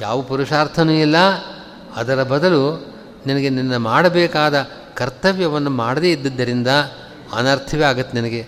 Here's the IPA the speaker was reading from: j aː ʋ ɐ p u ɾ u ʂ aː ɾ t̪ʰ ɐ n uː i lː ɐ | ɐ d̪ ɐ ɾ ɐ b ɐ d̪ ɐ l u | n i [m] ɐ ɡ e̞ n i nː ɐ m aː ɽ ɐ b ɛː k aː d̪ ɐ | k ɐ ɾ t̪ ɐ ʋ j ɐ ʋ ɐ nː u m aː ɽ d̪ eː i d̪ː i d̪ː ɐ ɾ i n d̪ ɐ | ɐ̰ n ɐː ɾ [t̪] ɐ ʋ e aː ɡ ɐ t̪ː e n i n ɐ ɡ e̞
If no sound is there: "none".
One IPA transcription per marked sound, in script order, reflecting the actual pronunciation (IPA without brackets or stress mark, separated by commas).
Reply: n, t̪ʰ